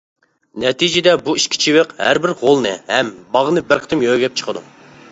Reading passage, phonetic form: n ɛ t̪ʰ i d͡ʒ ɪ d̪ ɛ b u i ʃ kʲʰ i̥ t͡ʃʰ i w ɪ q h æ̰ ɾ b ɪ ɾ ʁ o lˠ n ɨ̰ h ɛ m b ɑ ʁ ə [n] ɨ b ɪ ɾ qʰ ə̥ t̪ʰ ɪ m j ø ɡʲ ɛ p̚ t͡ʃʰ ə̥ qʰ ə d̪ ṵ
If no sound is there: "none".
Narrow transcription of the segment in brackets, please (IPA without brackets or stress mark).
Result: n